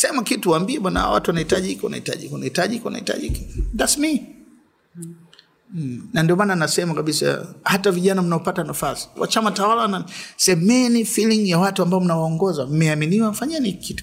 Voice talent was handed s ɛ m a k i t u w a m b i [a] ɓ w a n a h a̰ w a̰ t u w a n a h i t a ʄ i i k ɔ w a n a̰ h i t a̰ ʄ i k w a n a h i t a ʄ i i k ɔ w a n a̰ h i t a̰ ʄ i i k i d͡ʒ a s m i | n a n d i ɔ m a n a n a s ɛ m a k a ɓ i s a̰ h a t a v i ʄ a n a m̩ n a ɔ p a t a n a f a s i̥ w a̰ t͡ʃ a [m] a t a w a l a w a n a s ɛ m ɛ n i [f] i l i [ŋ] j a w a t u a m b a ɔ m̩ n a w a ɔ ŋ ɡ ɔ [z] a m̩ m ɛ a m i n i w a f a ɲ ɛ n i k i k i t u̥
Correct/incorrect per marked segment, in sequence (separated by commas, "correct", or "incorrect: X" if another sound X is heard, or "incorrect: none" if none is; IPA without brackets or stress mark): incorrect: ɛ, correct, correct, correct, correct